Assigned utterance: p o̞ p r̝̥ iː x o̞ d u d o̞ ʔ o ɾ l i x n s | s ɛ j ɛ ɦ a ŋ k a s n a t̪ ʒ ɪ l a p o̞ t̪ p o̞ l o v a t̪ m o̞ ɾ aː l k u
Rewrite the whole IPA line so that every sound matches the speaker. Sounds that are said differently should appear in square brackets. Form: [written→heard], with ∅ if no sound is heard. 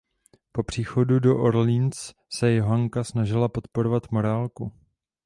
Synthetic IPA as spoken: p o̞ p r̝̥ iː x o̞ d u d o̞ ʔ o ɾ l i [x→∅] n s | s ɛ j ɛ ɦ a ŋ k a s n a [t̪→∅] ʒ ɪ l a p o̞ t̪ p o̞ [l→ɾ] o v a t̪ m o̞ ɾ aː l k u